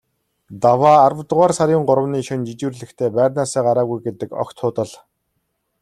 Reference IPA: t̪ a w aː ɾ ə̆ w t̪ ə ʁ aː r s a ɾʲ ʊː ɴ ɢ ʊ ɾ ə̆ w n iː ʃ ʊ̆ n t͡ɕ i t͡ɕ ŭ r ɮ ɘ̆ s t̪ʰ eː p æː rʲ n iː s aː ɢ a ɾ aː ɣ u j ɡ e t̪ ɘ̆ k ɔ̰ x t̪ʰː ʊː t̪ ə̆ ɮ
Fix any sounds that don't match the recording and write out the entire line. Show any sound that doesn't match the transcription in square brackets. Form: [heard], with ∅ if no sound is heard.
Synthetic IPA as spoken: t̪ a w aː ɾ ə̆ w t̪ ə ʁ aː r s a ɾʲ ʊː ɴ ɢ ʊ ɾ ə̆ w n iː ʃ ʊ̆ n t͡ɕ i t͡ɕ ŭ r ɮ ɘ̆ [x] t̪ʰ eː p æː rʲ n [aː] s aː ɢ a ɾ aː ɣ u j ɡ e t̪ ɘ̆ k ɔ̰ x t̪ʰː ʊː t̪ ə̆ ɮ